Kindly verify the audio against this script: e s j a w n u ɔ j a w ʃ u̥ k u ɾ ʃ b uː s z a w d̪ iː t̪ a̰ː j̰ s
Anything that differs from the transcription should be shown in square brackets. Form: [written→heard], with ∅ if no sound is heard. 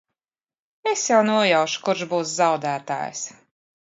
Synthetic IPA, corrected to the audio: e s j a w n u ɔ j a w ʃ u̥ k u ɾ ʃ b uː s z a w d̪ [iː→æː] t̪ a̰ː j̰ s